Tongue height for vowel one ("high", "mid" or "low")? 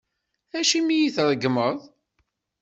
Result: low